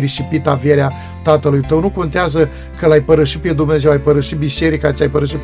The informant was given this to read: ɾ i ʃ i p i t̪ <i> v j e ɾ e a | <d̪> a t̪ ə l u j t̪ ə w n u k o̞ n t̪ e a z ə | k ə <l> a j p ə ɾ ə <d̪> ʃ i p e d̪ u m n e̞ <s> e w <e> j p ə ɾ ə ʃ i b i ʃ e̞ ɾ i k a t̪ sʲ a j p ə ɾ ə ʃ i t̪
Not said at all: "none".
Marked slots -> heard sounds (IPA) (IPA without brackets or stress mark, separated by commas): a, t̪, l, none, z, a